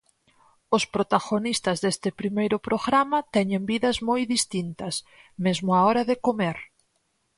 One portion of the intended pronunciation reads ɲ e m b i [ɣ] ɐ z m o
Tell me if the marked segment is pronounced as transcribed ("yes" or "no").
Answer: no